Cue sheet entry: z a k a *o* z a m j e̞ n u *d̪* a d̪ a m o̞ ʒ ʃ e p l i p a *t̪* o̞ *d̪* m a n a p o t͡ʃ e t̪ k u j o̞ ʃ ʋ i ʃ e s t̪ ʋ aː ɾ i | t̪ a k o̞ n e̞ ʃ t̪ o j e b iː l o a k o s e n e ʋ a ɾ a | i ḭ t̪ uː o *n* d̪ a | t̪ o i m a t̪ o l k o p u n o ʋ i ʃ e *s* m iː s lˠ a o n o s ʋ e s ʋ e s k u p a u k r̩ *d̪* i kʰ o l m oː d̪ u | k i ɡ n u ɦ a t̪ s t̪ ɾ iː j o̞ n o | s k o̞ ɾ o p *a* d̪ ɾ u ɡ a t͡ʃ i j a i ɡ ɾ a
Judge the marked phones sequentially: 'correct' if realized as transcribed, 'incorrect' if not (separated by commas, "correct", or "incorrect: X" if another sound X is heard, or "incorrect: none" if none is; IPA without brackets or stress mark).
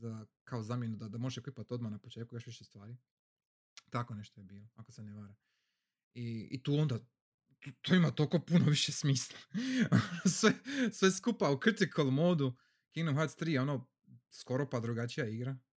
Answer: correct, correct, correct, correct, correct, correct, incorrect: t̪, correct